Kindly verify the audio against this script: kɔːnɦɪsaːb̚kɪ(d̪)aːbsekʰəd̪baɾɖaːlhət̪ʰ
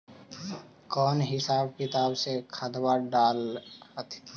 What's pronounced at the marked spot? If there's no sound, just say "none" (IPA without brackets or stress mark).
t̪